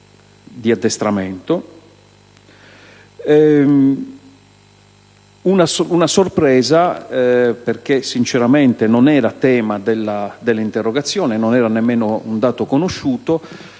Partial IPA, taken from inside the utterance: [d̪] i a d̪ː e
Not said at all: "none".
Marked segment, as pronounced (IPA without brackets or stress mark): d̪